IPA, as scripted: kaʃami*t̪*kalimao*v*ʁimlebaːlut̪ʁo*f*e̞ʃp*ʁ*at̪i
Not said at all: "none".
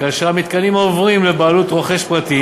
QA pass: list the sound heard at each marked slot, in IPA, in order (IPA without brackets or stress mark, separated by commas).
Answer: t̪, v, χ, ʁ